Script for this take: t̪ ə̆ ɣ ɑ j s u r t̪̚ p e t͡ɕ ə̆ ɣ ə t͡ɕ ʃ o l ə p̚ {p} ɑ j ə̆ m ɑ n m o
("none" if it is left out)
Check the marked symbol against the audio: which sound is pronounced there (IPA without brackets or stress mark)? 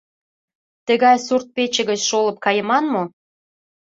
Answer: k